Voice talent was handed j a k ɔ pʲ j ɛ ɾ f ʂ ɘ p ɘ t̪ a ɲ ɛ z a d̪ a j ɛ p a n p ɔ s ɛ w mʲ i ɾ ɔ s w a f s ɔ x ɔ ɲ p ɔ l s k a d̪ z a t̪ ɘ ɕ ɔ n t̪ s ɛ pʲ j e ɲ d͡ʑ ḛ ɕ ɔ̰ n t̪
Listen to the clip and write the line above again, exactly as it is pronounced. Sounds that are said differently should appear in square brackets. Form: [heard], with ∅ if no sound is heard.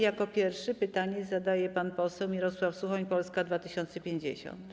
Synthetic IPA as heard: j a k ɔ pʲ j ɛ ɾ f ʂ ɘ p ɘ t̪ a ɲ ɛ z a d̪ a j ɛ p a n p ɔ s ɛ w mʲ i ɾ ɔ s w a f s [u] x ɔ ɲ p ɔ l s k a d̪ [v] a t̪ ɘ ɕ ɔ n t̪ s ɛ pʲ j e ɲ d͡ʑ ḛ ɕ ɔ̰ n t̪